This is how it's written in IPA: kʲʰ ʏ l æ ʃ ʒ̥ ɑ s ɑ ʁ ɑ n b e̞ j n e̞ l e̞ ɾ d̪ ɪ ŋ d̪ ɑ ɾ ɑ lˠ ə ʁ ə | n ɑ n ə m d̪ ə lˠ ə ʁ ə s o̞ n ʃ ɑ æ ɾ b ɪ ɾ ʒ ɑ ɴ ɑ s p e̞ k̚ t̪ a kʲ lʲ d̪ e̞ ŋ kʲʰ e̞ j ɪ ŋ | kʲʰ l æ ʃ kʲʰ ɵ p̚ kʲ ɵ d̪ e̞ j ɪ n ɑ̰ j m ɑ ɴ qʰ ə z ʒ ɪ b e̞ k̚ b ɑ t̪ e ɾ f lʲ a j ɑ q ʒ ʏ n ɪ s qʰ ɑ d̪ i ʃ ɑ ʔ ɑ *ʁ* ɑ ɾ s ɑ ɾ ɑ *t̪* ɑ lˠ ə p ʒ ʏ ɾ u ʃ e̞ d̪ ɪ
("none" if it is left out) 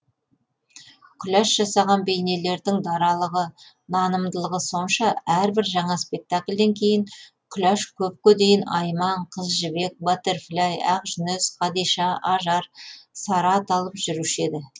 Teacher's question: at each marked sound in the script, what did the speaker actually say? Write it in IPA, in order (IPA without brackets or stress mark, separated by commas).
ʒ, t̪